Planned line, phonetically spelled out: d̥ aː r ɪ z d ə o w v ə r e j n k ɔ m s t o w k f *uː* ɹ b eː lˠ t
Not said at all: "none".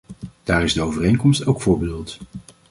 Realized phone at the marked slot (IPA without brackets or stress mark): ʊː